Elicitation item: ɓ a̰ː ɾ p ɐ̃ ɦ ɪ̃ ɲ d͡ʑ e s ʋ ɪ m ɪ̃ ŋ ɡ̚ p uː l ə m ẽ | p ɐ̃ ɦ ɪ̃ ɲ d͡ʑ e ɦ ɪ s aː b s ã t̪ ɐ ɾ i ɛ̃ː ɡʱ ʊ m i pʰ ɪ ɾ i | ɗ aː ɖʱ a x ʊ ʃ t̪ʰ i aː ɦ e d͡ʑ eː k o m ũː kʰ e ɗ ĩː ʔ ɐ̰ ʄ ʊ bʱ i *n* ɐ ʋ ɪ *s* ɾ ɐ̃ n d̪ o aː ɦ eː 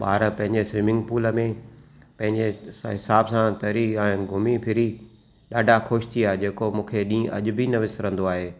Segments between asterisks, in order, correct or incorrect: correct, correct

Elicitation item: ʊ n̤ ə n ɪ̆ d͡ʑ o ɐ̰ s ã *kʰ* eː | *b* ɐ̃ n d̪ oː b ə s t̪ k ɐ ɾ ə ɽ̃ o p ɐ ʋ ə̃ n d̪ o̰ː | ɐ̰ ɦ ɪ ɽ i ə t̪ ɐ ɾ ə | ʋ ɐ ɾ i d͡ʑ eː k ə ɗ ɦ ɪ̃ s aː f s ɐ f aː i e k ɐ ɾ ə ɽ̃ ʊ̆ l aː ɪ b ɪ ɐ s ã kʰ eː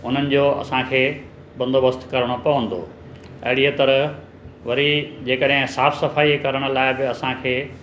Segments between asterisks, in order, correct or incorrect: correct, correct

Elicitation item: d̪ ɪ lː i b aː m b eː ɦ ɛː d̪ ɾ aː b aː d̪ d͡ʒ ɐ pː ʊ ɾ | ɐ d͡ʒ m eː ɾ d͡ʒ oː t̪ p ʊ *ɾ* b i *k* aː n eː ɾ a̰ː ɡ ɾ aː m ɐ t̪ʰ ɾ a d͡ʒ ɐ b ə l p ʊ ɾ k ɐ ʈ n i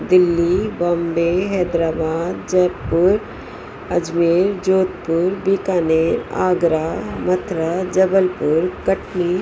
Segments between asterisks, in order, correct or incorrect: correct, correct

